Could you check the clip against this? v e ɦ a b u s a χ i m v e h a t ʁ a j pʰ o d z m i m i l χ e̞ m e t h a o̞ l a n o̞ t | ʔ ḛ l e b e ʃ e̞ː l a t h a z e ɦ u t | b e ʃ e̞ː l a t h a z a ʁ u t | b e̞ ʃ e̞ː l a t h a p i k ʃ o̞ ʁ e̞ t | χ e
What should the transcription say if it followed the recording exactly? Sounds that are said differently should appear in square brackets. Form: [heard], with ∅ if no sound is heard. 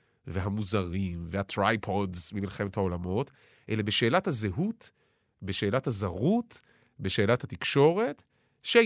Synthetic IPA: v e ɦ a [m] u [z] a [ʁ] i m v e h a t ʁ a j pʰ o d z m i m i l χ e̞ m e t h a o̞ l a [m] o̞ t | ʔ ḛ l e b e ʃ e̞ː l a t h a z e ɦ u t | b e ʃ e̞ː l a t h a z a ʁ u t | b e̞ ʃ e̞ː l a t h a [t] i k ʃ o̞ ʁ e̞ t | [ʃ] e